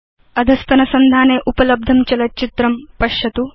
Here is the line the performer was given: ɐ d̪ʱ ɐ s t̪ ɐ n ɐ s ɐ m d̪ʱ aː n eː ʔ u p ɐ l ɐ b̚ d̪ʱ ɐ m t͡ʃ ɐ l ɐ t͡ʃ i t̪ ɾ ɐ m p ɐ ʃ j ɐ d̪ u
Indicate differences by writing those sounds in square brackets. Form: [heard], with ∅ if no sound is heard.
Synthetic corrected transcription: ɐ d̪ʱ ɐ s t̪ ɐ n ɐ s ɐ [n] d̪ʱ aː n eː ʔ u p ɐ l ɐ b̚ d̪ʱ ɐ m t͡ʃ ɐ l ɐ t͡ʃ i t̪ ɾ ɐ m p ɐ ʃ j ɐ [t̪] u